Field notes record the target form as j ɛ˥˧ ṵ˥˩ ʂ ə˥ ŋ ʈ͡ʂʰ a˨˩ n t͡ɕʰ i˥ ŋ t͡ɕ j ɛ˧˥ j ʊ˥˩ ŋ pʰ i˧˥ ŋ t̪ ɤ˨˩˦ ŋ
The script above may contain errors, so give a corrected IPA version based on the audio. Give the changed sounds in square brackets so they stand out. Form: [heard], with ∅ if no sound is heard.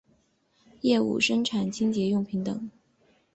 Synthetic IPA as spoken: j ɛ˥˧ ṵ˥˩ ʂ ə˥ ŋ ʈ͡ʂʰ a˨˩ n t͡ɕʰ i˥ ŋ t͡ɕ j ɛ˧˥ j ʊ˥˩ ŋ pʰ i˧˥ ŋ t̪ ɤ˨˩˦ ŋ